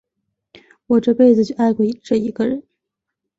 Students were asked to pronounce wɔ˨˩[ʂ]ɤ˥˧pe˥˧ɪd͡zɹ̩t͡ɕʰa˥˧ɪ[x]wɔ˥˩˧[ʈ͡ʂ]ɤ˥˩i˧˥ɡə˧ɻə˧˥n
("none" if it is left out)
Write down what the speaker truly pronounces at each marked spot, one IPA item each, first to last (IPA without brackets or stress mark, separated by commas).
ʈ͡ʂ, k, ʈ͡ʂ